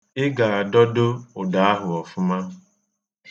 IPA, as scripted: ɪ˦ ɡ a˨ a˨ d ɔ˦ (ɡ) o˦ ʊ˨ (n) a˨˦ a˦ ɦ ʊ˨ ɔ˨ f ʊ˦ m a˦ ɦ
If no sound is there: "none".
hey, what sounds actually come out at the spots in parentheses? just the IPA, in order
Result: d, d

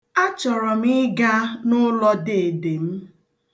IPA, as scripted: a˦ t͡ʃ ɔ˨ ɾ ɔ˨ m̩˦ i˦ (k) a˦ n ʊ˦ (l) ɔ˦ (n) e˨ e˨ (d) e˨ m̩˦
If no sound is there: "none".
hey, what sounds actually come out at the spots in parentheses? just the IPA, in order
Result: ɡ, l, d, d

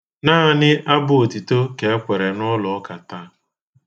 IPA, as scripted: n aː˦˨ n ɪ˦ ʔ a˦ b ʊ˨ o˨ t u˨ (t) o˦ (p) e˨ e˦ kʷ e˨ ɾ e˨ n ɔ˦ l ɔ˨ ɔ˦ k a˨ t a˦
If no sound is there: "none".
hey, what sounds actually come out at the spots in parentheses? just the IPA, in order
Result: t, k

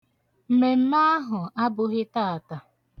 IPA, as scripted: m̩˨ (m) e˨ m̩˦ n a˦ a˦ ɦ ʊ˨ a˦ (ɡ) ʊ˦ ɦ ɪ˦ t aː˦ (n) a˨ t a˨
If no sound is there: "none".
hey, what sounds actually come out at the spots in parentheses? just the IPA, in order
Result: m, b, none

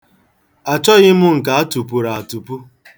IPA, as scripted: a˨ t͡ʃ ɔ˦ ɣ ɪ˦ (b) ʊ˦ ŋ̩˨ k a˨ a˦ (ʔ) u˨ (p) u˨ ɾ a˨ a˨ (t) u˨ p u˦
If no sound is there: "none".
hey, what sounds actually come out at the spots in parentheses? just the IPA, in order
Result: m, t, p, t

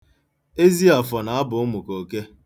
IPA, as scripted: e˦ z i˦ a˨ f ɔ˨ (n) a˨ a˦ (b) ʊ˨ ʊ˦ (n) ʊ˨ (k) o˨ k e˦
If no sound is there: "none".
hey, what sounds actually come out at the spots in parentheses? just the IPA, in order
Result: n, b, m, k

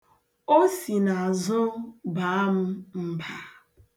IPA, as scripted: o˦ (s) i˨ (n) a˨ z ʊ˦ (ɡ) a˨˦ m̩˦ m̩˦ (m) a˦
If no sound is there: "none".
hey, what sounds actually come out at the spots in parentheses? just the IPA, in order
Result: s, n, b, b

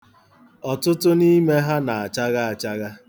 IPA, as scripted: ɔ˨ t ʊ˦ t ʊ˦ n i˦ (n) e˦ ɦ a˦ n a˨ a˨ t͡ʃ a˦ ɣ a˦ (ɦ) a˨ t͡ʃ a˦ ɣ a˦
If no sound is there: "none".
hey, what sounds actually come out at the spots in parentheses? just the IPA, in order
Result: m, none

